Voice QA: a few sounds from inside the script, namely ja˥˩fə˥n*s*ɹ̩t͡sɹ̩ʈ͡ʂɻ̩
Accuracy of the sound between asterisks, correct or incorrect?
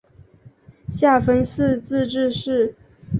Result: correct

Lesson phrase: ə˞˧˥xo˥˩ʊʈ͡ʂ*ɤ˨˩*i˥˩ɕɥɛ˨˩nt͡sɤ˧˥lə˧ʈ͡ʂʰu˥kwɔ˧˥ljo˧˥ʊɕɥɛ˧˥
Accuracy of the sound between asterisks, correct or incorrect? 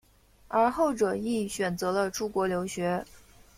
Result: correct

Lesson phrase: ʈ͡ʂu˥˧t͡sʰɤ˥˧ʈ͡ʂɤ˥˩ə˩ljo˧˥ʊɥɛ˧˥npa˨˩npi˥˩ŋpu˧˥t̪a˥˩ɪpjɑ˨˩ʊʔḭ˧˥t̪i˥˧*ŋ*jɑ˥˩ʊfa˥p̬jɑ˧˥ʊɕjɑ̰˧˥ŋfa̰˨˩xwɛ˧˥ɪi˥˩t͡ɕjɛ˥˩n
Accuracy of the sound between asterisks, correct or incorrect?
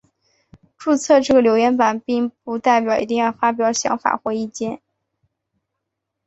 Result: correct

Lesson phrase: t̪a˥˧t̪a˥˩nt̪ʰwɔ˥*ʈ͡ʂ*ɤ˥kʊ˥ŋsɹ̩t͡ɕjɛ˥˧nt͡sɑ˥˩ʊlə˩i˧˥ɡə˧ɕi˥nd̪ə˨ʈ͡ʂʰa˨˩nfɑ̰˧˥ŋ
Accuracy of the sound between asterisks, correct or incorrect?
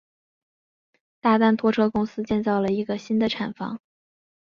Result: incorrect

